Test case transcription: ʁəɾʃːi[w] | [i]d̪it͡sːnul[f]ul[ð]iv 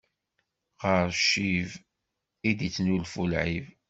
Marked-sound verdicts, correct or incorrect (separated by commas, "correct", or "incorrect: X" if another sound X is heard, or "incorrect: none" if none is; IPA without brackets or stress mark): incorrect: v, correct, correct, incorrect: ʕ